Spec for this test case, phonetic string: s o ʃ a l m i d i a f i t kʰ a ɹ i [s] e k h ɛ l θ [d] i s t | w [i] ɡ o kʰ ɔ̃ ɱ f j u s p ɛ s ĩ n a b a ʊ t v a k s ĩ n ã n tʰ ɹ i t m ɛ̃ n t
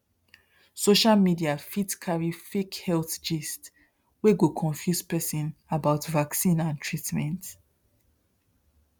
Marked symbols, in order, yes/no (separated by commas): no, no, no